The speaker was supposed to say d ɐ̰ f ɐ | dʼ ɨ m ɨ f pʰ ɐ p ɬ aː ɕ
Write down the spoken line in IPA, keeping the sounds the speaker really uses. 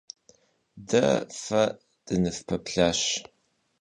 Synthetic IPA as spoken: d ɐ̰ f ɐ | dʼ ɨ n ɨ f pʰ ɐ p ɬ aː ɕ

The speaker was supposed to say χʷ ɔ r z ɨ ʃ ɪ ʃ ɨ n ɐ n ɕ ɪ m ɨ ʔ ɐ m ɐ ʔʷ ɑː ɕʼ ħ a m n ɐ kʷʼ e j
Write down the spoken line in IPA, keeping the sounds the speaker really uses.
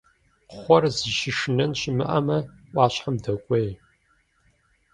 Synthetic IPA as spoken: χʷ ɔ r z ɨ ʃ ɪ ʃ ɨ n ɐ n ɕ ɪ m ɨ ʔ ɐ m ɐ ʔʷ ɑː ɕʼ ħ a m d ɐ kʷʼ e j

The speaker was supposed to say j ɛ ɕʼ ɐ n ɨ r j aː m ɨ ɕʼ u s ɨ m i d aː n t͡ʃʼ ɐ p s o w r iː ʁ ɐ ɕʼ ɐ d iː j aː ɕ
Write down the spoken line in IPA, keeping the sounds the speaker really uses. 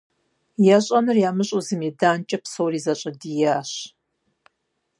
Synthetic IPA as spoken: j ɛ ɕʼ ɐ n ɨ r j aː m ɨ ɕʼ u z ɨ m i d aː n t͡ʃʼ ɐ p s o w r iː z ɐ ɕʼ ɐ d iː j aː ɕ

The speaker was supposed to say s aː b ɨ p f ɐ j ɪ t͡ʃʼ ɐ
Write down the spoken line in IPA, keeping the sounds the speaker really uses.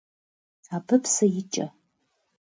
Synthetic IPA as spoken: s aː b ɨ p s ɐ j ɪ t͡ʃʼ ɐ

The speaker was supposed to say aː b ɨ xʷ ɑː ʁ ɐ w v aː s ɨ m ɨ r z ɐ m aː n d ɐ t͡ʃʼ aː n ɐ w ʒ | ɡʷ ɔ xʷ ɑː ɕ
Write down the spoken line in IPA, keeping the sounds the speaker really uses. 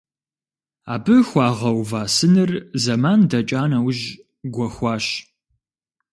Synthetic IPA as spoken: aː b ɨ xʷ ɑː ʁ ɐ w v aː s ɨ n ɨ r z ɐ m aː n d ɐ t͡ʃʼ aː n ɐ w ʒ | ɡʷ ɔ xʷ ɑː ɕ

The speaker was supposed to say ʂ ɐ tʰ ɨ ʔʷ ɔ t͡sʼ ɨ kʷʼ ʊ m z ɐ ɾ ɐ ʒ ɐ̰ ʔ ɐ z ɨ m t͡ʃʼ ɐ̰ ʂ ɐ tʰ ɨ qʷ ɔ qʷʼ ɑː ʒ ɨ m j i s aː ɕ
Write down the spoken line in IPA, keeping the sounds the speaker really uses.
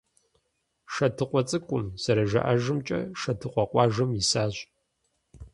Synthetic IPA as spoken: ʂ ɐ tʰ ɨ qʷ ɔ t͡sʼ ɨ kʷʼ ʊ m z ɐ ɾ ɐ ʒ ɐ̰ ʔ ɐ ʒ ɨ m t͡ʃʼ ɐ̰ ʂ ɐ tʰ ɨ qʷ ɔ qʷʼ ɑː ʒ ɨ m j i s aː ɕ

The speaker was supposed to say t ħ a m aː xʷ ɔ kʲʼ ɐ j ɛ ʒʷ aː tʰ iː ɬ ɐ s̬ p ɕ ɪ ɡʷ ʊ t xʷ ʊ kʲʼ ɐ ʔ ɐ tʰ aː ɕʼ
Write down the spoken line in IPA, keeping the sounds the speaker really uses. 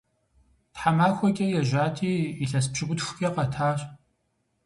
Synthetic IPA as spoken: t ħ a m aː xʷ ɔ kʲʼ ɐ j ɛ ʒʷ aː tʰ iː ɬ ɐ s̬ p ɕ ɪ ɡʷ ʊ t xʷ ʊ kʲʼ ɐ q ɐ tʰ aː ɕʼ

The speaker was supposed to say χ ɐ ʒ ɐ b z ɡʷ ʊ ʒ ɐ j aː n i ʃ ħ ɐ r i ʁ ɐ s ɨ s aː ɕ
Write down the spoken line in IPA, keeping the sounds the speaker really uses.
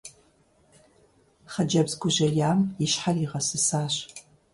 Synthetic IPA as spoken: χ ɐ d͡ʒ ɐ b z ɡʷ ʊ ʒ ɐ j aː m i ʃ ħ a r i ʁ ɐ s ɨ s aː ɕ

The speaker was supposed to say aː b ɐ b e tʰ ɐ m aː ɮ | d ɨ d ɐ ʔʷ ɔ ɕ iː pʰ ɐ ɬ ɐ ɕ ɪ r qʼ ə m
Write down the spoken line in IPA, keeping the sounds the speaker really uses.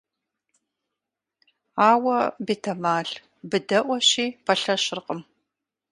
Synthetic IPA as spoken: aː w ɐ b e tʰ ɐ m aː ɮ | b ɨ d ɐ ʔʷ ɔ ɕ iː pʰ ɐ ɬ ɐ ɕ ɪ r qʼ ə m

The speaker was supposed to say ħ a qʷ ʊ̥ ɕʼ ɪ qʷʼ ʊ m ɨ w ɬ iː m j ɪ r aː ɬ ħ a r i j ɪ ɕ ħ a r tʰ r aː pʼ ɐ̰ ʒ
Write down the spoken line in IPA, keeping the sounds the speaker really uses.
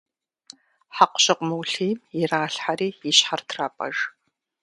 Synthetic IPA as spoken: ħ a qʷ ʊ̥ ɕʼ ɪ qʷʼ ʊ m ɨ w ɬ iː m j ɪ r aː ɬ ħ a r iː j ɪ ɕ ħ a r tʰ r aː pʼ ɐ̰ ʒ

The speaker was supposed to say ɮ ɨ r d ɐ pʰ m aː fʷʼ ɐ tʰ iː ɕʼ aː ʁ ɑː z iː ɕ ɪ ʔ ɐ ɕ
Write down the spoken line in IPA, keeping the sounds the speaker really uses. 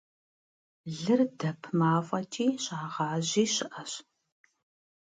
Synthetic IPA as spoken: ɮ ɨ r d ɐ pʰ m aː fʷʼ ɐ tʰ iː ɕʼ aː ʁ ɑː ʑ iː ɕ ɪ ʔ ɐ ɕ

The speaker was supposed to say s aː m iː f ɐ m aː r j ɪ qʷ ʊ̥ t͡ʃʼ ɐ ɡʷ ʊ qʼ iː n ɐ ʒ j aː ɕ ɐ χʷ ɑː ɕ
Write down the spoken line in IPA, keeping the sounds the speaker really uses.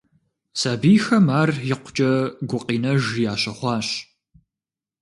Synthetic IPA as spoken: s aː b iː x ɐ m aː r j ɪ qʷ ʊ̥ t͡ʃʼ ɐ ɡʷ ʊ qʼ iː n ɐ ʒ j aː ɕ ɐ χʷ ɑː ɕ

